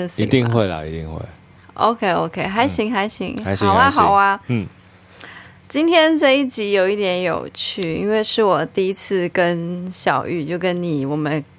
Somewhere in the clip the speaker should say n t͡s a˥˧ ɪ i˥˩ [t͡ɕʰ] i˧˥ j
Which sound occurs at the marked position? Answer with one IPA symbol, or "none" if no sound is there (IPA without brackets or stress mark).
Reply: t͡ɕ